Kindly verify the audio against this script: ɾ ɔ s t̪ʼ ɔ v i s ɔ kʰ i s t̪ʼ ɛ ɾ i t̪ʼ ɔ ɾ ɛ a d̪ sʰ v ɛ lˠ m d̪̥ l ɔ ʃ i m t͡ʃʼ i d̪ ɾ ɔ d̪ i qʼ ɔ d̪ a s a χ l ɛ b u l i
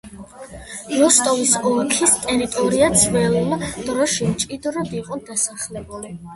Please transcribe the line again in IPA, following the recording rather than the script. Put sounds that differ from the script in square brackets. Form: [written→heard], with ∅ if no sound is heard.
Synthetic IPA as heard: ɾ ɔ s t̪ʼ ɔ v i s ɔ kʰ i s t̪ʼ ɛ ɾ i t̪ʼ ɔ ɾ [ɛ→i] a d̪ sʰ v ɛ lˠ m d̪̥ [l→ɾ] ɔ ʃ i m t͡ʃʼ i d̪ ɾ ɔ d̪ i qʼ ɔ d̪ a s a χ l ɛ b u l i

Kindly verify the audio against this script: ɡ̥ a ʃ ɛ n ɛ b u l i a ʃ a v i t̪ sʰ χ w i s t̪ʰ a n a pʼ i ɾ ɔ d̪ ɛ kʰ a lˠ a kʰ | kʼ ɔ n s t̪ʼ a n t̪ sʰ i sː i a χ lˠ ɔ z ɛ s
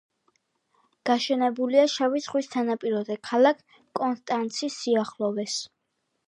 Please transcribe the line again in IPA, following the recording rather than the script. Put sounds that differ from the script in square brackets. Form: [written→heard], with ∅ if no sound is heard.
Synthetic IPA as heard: ɡ̥ a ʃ ɛ n ɛ b u l i a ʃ a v i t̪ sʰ χ w i s t̪ʰ a n a pʼ i ɾ ɔ d̪ ɛ kʰ a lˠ a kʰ | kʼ ɔ n s t̪ʼ a n t̪ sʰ i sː i a χ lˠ ɔ [z→v] ɛ s

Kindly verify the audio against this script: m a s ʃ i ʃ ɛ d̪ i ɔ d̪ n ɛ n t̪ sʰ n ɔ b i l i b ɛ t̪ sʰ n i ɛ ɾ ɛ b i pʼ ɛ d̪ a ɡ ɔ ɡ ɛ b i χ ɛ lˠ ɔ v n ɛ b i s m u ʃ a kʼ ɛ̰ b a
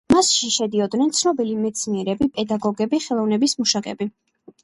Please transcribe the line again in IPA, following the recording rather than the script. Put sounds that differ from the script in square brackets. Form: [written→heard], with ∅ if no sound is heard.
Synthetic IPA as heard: m a s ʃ i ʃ ɛ d̪ i ɔ d̪ n ɛ n t̪ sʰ n ɔ b i l i [b→m] ɛ t̪ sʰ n i ɛ ɾ ɛ b i pʼ ɛ d̪ a ɡ ɔ ɡ ɛ b i χ ɛ lˠ ɔ v n ɛ b i s m u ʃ a kʼ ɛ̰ b [a→i]

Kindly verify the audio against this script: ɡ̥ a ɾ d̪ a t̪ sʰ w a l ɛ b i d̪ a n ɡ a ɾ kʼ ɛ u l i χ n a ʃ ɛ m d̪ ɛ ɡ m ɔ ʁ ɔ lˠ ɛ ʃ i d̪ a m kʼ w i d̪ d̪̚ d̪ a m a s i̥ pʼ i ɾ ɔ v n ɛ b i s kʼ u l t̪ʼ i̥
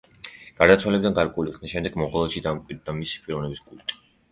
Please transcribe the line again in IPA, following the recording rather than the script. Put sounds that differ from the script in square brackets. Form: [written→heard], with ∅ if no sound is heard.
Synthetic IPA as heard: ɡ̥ a ɾ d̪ a t̪ sʰ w a l ɛ b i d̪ a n ɡ a ɾ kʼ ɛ u l i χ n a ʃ ɛ m d̪ ɛ ɡ m ɔ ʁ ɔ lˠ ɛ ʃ i d̪ a m kʼ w i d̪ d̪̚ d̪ a m [a→i] s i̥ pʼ i ɾ ɔ v n ɛ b i s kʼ u l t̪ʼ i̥

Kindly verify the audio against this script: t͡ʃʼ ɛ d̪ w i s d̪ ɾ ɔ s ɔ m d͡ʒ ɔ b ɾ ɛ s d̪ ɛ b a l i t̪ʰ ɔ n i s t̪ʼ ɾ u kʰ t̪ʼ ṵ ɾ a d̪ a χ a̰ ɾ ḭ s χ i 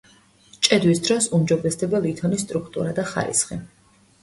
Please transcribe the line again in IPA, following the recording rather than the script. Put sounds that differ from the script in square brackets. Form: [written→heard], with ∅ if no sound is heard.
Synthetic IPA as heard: t͡ʃʼ ɛ d̪ w i s d̪ ɾ ɔ s [ɔ→u] m d͡ʒ ɔ b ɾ ɛ s d̪ ɛ b a l i t̪ʰ ɔ n i s t̪ʼ ɾ u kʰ t̪ʼ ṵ ɾ a d̪ a χ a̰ ɾ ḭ s χ i

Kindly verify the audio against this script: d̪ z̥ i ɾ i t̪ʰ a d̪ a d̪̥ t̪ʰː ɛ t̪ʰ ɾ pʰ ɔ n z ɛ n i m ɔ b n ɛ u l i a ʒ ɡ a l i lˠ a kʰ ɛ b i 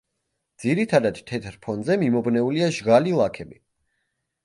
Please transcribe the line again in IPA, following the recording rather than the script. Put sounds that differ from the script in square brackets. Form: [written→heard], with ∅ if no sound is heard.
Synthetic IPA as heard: d̪ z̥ i ɾ i t̪ʰ a d̪ a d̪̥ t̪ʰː ɛ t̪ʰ ɾ pʰ ɔ n z ɛ [n→m] i m ɔ b n ɛ u l i a ʒ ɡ a l i lˠ a kʰ ɛ b i

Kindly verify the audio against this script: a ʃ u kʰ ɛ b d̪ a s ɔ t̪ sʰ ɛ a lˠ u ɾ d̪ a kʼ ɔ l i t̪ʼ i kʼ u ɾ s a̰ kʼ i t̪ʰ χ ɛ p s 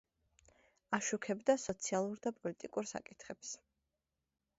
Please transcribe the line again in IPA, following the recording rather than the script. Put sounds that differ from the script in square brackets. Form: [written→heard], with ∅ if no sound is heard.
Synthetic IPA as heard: a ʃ u kʰ ɛ b d̪ a s ɔ t̪ sʰ [ɛ→i] a lˠ u ɾ d̪ a [kʼ→pʼ] ɔ l i t̪ʼ i kʼ u ɾ s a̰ kʼ i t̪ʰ χ ɛ p s

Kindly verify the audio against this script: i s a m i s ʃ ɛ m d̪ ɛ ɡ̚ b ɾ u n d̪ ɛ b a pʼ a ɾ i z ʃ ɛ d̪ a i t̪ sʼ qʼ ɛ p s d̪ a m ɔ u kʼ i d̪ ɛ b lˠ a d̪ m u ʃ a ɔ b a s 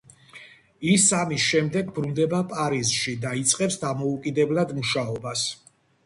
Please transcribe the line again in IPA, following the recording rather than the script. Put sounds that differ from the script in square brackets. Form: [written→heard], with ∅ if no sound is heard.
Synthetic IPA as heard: i s a m i s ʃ ɛ m d̪ ɛ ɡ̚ b ɾ u n d̪ ɛ b a pʼ a ɾ i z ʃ [ɛ→i] d̪ a i t̪ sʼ qʼ ɛ p s d̪ a m ɔ u kʼ i d̪ ɛ b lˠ a d̪ m u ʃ a ɔ b a s

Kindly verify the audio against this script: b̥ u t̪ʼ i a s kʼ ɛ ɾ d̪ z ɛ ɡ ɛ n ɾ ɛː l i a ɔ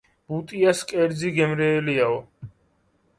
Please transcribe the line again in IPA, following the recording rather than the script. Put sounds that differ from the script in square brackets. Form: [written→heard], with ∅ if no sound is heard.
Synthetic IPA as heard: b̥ u t̪ʼ i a s kʼ ɛ ɾ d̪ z [ɛ→i] ɡ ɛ [n→m] ɾ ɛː l i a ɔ

